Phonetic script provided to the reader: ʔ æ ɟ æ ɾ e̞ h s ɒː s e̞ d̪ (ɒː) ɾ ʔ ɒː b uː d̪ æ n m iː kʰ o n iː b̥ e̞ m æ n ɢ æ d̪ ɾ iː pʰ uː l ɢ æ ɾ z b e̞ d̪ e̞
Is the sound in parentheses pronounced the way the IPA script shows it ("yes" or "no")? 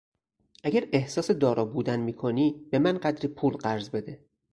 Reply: yes